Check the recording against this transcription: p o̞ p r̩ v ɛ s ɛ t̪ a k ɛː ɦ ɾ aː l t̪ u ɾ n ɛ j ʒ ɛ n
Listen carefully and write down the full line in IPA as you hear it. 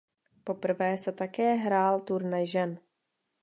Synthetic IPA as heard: p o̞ p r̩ v ɛː s ɛ t̪ a k ɛː ɦ ɾ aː l t̪ u ɾ n ɛ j ʒ ɛ n